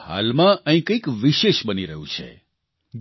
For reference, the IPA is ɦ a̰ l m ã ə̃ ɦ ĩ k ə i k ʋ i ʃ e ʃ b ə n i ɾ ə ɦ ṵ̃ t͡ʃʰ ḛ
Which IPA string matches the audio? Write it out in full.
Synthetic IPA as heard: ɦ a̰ l m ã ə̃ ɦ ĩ k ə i k ʋ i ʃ e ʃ b ə n i ɾ ə ɦ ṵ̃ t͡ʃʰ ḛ